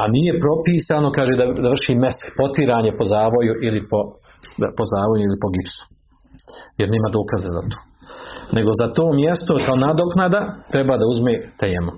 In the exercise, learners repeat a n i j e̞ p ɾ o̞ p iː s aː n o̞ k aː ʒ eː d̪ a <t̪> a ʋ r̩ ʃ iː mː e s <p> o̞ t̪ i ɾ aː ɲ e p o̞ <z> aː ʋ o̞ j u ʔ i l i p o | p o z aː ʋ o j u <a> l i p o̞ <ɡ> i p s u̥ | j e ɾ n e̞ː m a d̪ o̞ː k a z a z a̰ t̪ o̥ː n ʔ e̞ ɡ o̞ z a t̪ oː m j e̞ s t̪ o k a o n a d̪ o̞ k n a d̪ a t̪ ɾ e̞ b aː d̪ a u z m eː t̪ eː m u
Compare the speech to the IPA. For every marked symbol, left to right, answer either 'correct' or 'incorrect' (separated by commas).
incorrect, correct, correct, incorrect, correct